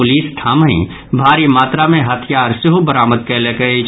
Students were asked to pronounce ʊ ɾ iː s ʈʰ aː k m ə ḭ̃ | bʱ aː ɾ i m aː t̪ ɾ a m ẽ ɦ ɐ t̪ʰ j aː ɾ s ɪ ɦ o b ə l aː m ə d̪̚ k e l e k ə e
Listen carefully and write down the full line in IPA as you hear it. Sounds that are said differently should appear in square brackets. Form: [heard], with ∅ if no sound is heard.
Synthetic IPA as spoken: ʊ [l] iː s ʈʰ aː [∅] m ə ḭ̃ | bʱ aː ɾ i m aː t̪ ɾ a m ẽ ɦ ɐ t̪ʰ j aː ɾ s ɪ ɦ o b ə [ɾ] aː m ə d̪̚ k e l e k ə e